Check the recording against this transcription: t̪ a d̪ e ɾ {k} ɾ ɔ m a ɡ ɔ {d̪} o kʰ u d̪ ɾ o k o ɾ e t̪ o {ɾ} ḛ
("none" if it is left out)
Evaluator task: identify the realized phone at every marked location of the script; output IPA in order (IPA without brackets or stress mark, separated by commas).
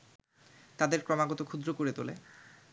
k, t̪, l